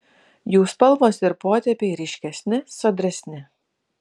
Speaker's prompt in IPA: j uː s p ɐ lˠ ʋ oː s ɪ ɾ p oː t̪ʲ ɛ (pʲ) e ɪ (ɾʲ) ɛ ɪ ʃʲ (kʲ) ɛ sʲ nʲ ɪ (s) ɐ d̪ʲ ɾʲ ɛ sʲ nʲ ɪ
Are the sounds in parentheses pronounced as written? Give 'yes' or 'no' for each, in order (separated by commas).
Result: yes, yes, yes, yes